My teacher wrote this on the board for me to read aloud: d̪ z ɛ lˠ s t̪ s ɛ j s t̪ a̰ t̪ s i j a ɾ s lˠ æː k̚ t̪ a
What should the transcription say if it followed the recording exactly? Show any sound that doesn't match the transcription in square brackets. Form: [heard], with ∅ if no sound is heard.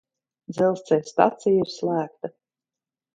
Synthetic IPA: d̪ z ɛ lˠ s t̪ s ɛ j s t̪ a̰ t̪ s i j [i] ɾ s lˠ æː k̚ t̪ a